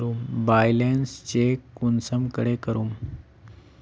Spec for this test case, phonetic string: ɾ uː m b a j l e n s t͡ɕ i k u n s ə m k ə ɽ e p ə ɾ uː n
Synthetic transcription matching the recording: ɾ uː m b a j l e n s t͡ɕ e k u n s ə m k ə ɽ e k ə ɾ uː m